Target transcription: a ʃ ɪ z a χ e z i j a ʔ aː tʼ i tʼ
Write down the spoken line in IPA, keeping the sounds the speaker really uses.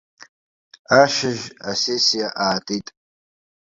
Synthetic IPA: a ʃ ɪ ʒ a s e s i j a ʔ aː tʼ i tʼ